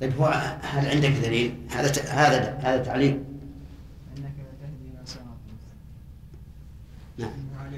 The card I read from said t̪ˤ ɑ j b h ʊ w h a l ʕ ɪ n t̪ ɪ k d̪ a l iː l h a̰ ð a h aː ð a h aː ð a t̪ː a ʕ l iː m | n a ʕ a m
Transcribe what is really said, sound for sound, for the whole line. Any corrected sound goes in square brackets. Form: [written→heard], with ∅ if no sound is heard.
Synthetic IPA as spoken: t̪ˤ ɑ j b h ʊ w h a l ʕ ɪ n [t̪→d̪] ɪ k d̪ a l iː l h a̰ ð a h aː ð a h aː ð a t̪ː a ʕ l iː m | n a ʕ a m